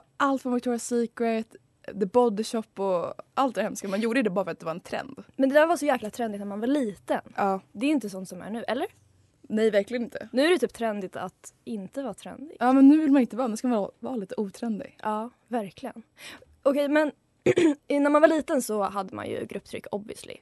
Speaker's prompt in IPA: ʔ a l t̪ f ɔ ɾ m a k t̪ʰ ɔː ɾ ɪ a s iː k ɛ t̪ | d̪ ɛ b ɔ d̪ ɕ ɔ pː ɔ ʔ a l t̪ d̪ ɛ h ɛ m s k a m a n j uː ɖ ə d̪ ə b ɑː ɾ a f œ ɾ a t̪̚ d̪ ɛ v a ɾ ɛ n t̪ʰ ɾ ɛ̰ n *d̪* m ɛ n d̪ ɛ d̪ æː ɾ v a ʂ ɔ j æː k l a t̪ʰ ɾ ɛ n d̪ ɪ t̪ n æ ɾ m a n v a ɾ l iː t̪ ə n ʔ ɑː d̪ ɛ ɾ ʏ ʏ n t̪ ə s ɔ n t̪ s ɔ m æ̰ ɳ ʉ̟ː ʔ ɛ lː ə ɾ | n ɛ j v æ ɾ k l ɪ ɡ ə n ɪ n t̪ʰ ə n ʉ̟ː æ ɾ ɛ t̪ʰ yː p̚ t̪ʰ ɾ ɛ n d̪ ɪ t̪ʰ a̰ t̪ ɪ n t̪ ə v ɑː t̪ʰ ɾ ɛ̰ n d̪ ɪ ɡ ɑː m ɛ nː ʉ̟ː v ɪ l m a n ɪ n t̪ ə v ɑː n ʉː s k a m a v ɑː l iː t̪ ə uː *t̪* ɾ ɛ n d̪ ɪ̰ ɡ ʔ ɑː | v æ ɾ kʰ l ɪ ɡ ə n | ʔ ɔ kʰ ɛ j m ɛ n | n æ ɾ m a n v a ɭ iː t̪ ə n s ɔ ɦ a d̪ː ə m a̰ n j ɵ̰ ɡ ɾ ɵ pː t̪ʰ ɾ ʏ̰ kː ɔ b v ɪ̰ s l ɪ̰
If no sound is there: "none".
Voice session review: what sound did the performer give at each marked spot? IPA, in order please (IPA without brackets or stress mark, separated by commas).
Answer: d̪, t̪ʰ